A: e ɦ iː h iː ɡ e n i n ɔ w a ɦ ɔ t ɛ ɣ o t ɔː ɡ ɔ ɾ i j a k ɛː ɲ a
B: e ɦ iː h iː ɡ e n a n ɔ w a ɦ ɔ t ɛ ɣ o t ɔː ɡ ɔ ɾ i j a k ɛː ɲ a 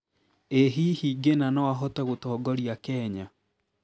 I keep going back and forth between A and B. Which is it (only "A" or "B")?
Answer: B